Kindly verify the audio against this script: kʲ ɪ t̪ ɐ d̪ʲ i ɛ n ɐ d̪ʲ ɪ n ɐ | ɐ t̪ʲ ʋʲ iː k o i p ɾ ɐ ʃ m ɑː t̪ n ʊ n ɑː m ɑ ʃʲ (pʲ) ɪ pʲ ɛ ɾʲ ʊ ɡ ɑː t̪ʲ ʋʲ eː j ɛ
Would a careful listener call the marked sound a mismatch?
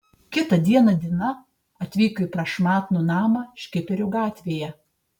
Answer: yes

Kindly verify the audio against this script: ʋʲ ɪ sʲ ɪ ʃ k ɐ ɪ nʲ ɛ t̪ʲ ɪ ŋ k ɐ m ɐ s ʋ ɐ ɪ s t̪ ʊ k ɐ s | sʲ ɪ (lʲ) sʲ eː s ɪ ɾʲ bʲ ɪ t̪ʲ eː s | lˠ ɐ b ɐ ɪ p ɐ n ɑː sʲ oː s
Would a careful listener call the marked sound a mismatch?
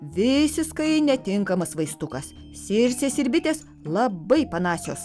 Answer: yes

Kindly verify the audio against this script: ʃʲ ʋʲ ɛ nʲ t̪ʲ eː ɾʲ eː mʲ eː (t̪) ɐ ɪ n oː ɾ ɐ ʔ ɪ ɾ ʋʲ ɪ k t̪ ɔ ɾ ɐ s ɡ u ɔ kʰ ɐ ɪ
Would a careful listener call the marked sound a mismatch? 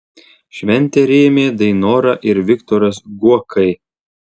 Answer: yes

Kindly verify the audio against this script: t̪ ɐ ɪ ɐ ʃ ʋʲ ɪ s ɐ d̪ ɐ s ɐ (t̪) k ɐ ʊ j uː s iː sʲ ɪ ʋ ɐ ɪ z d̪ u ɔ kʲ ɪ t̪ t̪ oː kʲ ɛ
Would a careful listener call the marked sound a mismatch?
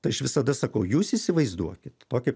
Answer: yes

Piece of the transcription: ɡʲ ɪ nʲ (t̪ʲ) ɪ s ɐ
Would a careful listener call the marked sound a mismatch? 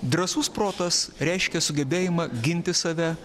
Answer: no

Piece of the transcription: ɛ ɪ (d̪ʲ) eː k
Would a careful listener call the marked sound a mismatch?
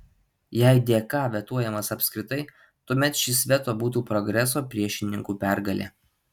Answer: no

